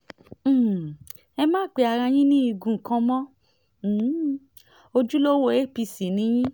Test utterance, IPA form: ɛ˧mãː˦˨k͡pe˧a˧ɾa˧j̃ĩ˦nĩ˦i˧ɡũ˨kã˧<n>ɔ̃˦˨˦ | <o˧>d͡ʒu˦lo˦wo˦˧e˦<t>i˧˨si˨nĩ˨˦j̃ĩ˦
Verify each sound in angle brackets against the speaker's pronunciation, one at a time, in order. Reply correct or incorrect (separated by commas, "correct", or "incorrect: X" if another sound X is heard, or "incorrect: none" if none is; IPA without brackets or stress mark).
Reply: incorrect: m, correct, incorrect: p